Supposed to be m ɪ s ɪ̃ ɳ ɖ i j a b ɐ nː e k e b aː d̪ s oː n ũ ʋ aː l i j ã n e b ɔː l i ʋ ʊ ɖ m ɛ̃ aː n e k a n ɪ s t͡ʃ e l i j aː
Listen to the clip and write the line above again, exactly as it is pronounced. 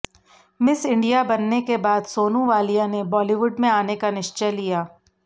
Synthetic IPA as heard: m ɪ s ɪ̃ ɳ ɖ i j a b ɐ nː e k e b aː d̪ s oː n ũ ʋ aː l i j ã n e b ɔː l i ʋ ʊ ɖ m ẽ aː n e k a n ɪ ʃ t͡ʃ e l i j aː